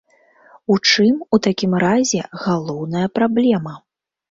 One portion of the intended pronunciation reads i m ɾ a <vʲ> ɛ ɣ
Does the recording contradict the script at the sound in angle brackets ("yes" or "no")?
yes